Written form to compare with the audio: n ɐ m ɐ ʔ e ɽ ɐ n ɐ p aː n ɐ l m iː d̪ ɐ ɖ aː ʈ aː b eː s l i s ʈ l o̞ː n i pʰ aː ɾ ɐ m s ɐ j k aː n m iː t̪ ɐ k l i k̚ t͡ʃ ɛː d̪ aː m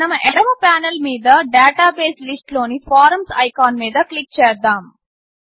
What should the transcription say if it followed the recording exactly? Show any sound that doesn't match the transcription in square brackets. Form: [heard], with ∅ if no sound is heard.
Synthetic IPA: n ɐ m ɐ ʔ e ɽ ɐ [m] ɐ p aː n ɐ l m iː d̪ ɐ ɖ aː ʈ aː b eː s l i s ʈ l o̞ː n i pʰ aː ɾ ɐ m s ɐ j k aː n m iː [d̪] ɐ k l i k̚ t͡ʃ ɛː d̪ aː m